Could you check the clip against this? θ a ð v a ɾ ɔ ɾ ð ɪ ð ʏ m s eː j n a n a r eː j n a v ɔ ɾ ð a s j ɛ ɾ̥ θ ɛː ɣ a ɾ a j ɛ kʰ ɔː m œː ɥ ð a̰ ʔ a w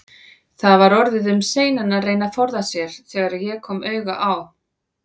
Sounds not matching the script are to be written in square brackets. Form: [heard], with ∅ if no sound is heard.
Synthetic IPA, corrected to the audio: θ a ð v a ɾ ɔ ɾ ð ɪ ð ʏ m s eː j n a n a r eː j n a [f] ɔ ɾ ð a s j ɛ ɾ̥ θ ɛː ɣ a ɾ a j ɛ kʰ ɔː m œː ɥ [ɣ] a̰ ʔ a w